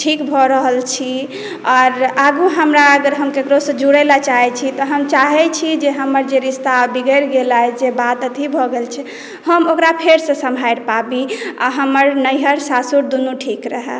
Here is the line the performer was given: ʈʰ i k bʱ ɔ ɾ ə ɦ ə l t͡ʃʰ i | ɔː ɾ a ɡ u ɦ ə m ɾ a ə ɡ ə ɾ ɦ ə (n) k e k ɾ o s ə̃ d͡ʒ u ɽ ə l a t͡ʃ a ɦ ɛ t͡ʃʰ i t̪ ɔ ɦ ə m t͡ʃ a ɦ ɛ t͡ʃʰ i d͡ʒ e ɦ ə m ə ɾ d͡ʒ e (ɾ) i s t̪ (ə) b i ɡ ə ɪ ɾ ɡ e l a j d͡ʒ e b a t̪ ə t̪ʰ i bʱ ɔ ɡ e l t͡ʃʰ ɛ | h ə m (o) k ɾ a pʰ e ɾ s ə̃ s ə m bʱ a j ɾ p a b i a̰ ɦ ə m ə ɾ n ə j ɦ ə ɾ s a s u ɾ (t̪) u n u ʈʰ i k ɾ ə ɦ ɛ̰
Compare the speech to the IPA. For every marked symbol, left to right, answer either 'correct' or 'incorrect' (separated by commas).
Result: incorrect, correct, incorrect, correct, incorrect